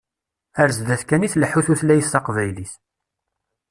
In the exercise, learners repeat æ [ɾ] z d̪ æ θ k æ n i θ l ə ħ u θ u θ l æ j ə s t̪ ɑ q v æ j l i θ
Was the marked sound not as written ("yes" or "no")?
no